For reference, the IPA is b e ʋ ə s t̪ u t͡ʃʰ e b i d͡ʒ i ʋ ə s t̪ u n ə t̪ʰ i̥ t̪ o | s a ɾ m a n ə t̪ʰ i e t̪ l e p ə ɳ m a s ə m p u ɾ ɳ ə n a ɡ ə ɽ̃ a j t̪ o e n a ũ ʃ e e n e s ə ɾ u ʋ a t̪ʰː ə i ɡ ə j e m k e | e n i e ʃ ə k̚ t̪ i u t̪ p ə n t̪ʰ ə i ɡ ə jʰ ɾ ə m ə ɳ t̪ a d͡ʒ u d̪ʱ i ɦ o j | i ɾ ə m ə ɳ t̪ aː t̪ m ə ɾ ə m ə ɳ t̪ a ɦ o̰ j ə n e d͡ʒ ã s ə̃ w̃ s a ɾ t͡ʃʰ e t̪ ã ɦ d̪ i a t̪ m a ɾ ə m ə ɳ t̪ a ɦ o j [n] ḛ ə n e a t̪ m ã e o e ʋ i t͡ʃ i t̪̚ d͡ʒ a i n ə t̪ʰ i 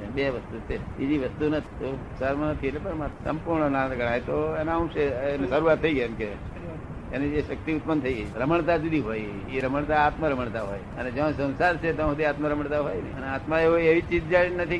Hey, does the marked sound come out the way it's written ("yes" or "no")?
yes